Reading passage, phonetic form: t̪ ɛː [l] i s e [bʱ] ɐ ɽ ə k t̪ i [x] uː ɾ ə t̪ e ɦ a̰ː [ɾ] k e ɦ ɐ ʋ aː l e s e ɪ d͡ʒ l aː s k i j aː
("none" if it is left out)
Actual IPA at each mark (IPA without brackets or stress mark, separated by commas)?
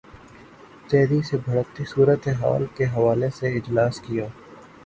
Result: ɾ, bʱ, s, l